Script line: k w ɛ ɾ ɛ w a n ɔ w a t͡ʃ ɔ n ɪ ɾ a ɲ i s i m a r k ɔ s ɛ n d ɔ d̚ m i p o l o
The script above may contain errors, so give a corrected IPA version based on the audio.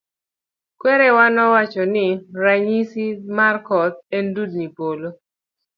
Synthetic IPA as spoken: k w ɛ ɾ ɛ w a n ɔ w a t͡ʃ ɔ n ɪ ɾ a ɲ i s i m a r k ɔ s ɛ n d u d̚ n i p o l o